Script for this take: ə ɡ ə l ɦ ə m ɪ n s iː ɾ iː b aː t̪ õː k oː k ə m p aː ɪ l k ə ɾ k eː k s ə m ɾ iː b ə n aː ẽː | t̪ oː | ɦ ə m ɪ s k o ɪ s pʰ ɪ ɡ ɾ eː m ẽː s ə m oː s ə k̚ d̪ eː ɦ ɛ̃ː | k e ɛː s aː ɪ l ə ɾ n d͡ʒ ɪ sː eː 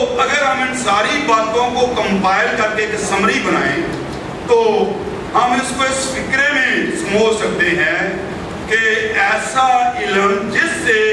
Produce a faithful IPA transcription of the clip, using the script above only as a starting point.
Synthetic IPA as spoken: ə ɡ ə ɾ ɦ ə m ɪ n s aː ɾ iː b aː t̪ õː k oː k ə m p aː ɪ l k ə ɾ k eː k s ə m ɾ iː b ə n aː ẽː | t̪ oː | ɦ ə m ɪ s k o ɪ s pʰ ɪ k ɾ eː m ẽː s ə m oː s ə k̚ d̪ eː ɦ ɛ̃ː | k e ɛː s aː ɪ l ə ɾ n d͡ʒ ɪ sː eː